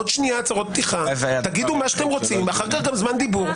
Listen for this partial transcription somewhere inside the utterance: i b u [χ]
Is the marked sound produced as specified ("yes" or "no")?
no